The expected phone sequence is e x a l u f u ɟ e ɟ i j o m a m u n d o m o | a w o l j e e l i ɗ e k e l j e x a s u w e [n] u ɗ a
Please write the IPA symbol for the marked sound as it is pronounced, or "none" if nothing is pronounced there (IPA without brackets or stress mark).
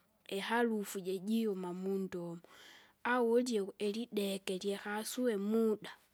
m